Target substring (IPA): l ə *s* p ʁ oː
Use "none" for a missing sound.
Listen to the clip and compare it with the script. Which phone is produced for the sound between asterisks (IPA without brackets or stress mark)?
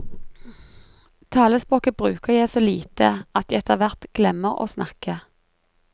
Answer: s